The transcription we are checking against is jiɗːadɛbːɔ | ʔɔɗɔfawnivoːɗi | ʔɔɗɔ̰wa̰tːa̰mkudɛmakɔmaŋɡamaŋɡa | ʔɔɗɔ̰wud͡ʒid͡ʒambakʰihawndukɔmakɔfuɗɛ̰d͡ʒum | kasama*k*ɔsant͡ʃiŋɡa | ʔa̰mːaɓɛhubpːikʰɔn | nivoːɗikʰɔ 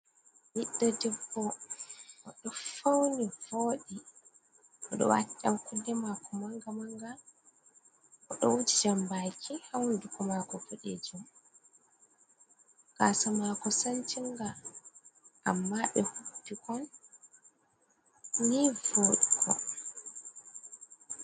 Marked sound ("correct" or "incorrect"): correct